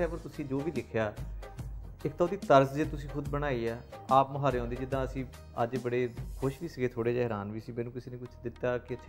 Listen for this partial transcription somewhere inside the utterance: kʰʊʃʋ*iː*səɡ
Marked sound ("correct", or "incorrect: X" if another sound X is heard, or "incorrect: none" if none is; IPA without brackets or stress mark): correct